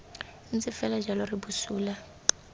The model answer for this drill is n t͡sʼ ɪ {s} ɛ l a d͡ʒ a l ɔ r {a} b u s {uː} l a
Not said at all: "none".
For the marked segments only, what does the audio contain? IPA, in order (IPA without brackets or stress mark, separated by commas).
f, i, uː